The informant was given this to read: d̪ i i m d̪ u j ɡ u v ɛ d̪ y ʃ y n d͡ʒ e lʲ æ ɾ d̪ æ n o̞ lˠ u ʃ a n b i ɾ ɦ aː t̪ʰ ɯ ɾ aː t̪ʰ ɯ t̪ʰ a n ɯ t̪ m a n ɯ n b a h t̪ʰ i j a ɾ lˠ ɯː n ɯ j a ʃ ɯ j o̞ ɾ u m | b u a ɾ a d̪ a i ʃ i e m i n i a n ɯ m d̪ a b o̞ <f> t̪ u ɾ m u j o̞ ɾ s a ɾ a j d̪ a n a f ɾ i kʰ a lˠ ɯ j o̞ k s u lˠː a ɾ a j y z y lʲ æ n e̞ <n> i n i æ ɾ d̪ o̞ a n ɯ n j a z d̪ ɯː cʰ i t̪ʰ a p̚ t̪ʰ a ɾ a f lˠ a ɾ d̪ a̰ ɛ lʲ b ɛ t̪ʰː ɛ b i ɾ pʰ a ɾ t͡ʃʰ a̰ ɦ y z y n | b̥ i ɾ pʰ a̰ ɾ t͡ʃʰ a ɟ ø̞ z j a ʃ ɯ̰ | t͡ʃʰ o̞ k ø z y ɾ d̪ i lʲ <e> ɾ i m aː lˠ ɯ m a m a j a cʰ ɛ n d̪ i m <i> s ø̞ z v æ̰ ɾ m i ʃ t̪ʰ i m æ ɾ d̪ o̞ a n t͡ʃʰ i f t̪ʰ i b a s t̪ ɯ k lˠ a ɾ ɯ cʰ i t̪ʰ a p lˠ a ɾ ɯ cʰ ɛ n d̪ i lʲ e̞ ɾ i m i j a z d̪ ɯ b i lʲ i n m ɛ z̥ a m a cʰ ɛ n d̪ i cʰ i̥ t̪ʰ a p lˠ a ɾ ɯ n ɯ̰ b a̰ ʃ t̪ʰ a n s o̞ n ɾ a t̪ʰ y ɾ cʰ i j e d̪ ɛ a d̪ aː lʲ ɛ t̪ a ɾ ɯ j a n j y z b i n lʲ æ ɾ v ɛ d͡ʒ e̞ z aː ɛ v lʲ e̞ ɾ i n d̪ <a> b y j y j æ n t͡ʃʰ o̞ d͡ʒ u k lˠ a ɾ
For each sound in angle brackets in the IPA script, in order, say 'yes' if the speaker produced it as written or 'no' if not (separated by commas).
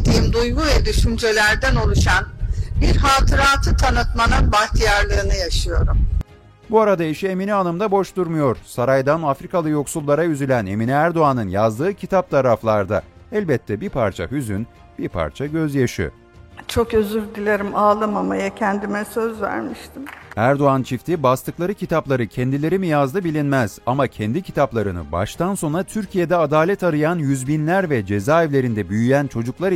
no, no, yes, no, no